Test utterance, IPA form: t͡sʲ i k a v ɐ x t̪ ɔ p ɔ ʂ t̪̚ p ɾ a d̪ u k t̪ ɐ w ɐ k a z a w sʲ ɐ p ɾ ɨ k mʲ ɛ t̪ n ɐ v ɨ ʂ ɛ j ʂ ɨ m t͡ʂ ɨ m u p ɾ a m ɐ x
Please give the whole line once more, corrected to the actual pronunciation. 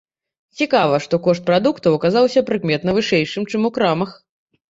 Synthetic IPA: t͡sʲ i k a v ɐ ʂ t̪ ɔ k ɔ ʂ t̪̚ p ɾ a d̪ u k t̪ ɐ w ɐ k a z a w sʲ ɐ p ɾ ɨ k mʲ ɛ t̪ n ɐ v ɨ ʂ ɛ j ʂ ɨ m t͡ʂ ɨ m u k ɾ a m ɐ x